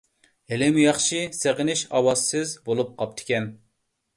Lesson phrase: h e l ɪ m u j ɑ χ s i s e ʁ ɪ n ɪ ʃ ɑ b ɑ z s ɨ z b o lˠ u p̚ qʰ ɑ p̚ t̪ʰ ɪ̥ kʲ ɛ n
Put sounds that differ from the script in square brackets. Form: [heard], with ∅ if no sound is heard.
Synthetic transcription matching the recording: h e l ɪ m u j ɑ χ [ʃ] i s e ʁ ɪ n ɪ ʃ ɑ [w] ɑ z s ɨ z b o lˠ u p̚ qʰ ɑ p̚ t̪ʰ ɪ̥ kʲ ɛ n